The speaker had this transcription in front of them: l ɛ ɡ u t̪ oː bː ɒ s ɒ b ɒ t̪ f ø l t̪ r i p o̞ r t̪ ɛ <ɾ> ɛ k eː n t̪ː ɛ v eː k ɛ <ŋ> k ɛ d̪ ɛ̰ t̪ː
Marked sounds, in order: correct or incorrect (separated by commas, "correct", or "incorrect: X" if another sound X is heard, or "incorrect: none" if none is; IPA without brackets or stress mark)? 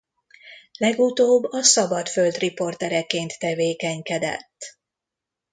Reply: correct, incorrect: ɲ